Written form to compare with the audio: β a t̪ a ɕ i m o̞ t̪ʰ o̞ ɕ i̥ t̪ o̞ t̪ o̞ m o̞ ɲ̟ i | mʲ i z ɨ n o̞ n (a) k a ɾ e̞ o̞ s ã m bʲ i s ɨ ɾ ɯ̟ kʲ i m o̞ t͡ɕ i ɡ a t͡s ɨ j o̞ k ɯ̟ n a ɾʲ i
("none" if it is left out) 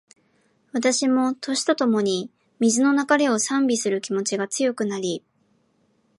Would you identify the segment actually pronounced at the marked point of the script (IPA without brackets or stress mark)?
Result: a